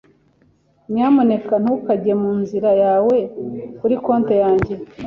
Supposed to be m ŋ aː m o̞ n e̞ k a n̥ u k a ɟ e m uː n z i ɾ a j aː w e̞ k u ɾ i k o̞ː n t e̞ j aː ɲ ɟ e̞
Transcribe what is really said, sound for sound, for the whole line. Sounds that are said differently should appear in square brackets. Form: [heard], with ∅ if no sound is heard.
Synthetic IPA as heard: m [ɲ] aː m o̞ n e̞ k a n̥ u k a ɟ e m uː n z i ɾ a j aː w e̞ k u ɾ i k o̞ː n t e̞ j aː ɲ ɟ e̞